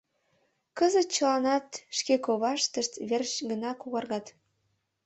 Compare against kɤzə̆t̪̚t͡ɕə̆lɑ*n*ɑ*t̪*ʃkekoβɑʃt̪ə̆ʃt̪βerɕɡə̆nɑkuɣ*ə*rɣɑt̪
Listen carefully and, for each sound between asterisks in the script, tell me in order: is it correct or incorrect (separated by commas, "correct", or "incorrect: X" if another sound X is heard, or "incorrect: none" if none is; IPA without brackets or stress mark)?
correct, correct, incorrect: ɑ